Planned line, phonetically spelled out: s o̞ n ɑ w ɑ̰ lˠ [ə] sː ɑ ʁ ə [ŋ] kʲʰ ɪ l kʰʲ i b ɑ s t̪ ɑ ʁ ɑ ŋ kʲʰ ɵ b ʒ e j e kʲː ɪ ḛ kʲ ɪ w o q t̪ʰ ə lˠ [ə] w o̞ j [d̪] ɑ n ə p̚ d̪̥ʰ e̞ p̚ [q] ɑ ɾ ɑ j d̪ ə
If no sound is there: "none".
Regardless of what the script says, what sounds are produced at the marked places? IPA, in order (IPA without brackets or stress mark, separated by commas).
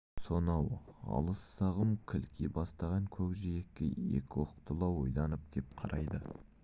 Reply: ə, m, ɑ, d̪, qʰ